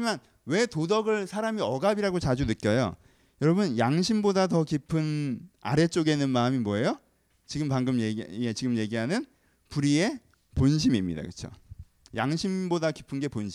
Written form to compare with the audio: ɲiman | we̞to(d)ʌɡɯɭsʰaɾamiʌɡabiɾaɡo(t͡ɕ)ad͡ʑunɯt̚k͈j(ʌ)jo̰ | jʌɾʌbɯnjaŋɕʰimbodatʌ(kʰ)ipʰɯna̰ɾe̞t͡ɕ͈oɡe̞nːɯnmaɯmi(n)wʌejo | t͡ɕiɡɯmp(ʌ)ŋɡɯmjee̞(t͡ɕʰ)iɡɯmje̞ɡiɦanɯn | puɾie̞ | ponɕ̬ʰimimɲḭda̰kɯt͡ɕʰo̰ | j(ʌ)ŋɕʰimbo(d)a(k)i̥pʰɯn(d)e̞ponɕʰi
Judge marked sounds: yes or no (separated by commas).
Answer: yes, yes, yes, no, no, no, no, no, yes, yes, no